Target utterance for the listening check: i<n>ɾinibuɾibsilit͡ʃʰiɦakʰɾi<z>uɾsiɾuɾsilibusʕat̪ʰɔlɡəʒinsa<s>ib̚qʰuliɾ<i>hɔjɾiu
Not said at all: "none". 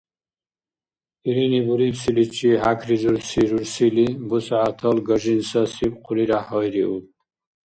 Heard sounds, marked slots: none, z, s, a

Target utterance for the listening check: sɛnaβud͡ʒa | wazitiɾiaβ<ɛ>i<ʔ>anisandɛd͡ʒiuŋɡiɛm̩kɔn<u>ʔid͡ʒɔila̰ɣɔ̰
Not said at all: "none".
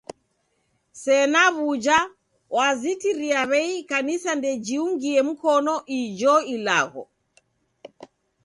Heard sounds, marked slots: ɛ, k, ɔ

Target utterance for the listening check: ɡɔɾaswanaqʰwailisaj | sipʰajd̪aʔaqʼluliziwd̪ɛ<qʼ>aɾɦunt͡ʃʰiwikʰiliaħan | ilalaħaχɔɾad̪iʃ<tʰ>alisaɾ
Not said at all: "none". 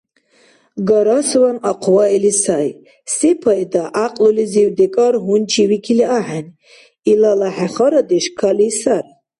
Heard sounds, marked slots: kʼ, kʰ

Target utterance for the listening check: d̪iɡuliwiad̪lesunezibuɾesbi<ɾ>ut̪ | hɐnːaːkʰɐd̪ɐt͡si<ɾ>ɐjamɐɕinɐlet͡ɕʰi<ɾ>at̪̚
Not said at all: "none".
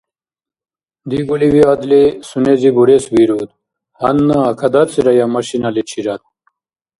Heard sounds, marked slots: ɾ, ɾ, ɾ

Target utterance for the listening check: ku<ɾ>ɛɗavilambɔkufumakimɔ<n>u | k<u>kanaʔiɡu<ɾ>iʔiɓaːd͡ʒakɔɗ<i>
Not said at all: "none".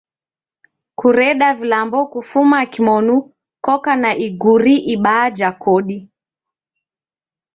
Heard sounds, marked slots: ɾ, n, ɔ, ɾ, i

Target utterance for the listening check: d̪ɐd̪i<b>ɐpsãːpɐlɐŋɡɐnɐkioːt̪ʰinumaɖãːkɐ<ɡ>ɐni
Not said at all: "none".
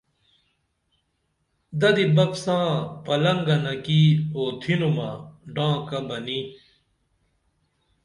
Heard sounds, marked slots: b, b

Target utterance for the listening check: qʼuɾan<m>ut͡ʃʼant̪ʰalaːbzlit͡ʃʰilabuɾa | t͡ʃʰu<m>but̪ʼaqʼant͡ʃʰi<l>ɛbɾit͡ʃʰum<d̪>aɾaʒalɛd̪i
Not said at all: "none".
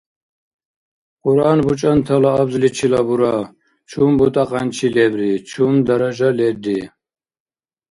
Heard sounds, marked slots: b, m, l, d̪

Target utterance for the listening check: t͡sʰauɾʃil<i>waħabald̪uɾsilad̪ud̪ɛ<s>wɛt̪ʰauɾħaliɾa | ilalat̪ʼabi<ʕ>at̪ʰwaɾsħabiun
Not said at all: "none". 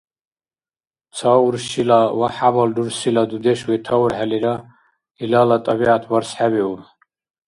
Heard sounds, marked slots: a, ʃ, ʕ

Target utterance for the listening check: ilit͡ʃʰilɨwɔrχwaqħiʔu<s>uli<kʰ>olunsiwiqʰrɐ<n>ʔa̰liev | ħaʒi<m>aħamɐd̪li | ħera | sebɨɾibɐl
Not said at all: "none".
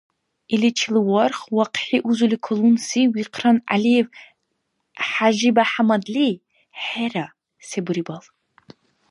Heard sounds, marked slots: z, kʰ, n, b

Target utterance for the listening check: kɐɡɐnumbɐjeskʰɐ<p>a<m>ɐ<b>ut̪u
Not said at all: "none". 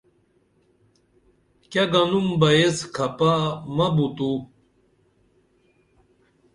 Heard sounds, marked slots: p, m, b

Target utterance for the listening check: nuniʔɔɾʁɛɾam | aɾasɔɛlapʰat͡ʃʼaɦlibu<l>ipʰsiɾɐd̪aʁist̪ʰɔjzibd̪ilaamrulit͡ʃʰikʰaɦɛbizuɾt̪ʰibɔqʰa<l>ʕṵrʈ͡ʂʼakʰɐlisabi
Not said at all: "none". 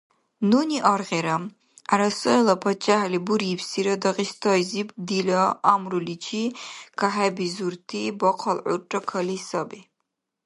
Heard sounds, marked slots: ɾ, l

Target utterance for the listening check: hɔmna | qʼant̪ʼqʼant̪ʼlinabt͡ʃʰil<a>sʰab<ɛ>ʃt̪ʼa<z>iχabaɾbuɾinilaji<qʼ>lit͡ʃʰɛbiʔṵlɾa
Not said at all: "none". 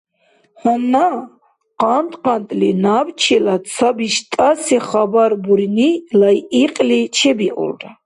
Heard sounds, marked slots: a, i, s, qʼ

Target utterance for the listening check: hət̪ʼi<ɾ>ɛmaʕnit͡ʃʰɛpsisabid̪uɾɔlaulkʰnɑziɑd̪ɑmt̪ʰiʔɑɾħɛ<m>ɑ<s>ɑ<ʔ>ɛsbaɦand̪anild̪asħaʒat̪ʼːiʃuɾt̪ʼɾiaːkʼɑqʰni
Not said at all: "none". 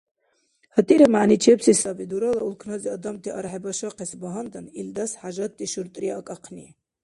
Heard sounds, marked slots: ɾ, b, ʃ, q

